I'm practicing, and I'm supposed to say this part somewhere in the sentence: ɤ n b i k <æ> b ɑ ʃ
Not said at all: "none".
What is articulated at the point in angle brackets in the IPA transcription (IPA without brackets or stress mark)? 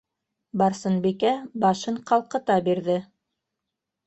æ